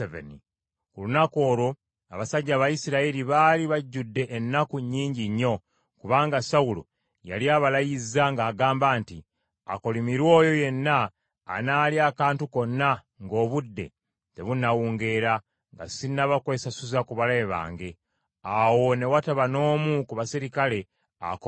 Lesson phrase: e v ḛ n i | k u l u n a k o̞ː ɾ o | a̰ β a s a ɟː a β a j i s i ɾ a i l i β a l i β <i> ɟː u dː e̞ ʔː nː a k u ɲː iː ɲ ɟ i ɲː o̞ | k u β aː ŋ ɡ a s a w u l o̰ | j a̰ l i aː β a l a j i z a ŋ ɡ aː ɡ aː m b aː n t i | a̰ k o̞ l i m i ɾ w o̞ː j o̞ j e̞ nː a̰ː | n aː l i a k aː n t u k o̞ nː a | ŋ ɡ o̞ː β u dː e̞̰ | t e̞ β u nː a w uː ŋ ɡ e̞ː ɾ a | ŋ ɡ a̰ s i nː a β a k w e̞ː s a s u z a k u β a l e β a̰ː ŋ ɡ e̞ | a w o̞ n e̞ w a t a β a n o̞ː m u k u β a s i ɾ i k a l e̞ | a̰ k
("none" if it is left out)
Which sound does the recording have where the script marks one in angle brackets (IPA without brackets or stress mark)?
a